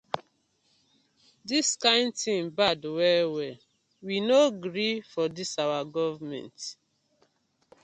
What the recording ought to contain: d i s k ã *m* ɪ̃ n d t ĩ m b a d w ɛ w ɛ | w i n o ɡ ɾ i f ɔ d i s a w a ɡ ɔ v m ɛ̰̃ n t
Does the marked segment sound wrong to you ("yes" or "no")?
yes